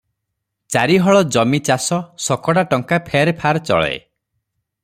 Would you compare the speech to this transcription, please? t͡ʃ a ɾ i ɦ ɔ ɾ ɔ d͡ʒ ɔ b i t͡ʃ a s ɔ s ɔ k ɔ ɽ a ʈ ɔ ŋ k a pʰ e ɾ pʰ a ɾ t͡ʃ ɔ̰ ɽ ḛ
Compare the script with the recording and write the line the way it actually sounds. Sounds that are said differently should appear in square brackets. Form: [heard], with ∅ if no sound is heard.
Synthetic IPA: t͡ʃ a ɾ i ɦ ɔ [ɭ] ɔ d͡ʒ ɔ [m] i t͡ʃ a s ɔ s ɔ k ɔ ɽ a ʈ ɔ ŋ k a pʰ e ɾ pʰ a ɾ t͡ʃ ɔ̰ [ɭ] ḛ